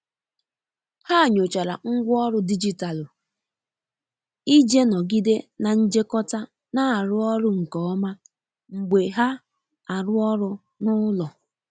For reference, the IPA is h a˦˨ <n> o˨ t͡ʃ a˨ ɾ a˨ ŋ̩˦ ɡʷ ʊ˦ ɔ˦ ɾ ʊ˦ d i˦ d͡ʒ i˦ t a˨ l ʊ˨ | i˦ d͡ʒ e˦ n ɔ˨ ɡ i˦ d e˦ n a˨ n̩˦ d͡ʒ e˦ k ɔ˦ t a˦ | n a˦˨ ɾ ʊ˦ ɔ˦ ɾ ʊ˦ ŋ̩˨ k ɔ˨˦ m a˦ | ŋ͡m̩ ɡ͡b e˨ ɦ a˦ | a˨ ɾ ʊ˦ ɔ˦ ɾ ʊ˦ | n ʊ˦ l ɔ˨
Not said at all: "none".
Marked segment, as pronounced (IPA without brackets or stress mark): ɲ